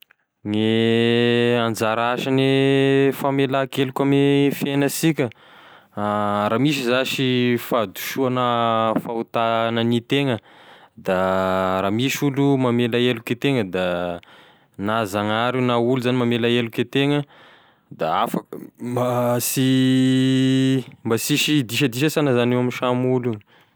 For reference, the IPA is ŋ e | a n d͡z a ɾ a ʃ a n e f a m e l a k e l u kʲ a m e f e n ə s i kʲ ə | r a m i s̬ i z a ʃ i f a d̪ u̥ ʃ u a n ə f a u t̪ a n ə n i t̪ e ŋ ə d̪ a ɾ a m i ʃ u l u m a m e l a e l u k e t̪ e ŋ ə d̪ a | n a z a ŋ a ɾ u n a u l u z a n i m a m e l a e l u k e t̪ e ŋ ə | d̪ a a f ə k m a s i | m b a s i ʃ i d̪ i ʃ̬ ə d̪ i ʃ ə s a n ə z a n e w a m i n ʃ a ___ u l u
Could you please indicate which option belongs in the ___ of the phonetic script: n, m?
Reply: m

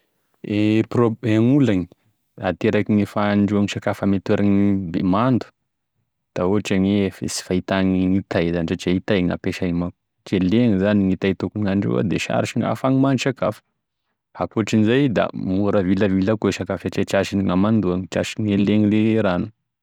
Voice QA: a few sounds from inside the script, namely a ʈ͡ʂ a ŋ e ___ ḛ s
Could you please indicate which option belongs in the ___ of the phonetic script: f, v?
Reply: f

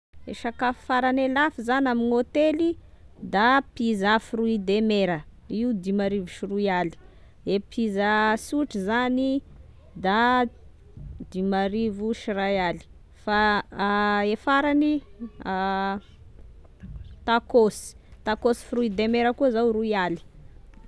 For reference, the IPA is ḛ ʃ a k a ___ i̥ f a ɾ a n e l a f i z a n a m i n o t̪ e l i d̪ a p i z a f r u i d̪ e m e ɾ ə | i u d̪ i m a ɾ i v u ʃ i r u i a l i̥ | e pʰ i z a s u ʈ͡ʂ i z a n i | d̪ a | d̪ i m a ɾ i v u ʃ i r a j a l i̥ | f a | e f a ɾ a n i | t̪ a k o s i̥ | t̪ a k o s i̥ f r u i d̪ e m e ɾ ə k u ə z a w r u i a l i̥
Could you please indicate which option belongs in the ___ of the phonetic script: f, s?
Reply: f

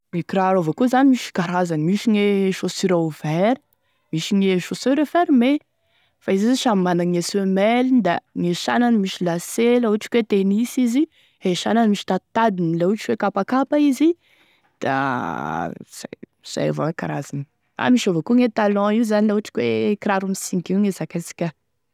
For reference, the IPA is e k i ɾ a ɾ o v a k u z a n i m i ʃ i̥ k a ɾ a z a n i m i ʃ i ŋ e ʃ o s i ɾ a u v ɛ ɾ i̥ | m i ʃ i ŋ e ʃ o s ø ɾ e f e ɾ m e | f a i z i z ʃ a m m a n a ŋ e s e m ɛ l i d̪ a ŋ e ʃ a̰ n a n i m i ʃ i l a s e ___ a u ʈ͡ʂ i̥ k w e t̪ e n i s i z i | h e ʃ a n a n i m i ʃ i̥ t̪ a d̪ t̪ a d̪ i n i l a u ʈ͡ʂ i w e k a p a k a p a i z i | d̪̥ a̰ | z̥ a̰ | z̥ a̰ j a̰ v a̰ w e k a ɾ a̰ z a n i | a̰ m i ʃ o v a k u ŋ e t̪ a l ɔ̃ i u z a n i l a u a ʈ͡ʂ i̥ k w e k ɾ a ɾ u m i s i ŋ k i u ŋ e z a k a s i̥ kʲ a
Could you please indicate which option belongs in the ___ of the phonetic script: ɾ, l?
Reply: l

